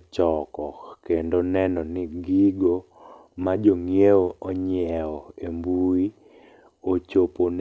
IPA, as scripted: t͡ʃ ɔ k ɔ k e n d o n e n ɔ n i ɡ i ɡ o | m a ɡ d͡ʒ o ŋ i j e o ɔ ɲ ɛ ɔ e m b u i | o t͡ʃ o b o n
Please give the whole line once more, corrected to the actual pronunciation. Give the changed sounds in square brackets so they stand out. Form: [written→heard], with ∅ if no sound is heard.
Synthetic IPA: t͡ʃ ɔ k ɔ k e n d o n [e→ɛ] n ɔ n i ɡ i ɡ o | m a [ɡ→∅] d͡ʒ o ŋ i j e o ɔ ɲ ɛ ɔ e m b u i | o t͡ʃ o [b→p] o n